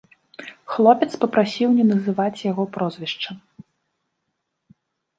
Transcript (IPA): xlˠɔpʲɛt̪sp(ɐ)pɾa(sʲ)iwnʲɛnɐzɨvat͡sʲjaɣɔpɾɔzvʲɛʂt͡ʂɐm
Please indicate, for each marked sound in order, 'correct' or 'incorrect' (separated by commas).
correct, correct